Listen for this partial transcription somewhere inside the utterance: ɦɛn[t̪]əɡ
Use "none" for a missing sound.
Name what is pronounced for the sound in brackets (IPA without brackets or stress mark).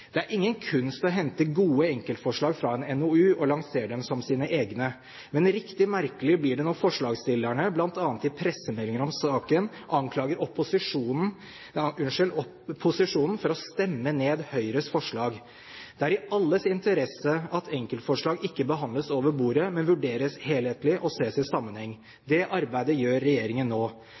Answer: t̪